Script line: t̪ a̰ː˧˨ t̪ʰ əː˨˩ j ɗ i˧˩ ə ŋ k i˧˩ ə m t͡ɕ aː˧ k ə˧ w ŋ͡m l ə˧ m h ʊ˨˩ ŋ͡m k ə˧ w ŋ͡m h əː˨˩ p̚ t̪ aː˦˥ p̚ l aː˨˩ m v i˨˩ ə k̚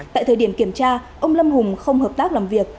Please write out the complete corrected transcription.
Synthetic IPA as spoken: t̪ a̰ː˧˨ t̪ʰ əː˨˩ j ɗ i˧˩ ə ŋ k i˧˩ ə m t͡ɕ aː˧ ʔ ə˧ w ŋ͡m l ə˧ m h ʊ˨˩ ŋ͡m x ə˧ w ŋ͡m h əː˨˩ p̚ t̪ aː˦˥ k̚ l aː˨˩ m v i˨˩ ə k̚